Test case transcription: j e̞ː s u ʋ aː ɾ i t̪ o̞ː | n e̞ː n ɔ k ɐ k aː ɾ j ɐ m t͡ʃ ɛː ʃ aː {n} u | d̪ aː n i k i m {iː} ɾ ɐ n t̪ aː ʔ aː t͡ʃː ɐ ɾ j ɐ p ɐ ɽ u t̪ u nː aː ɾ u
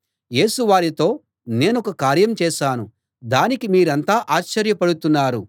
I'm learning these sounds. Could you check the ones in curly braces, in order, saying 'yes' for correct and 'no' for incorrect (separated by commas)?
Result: yes, yes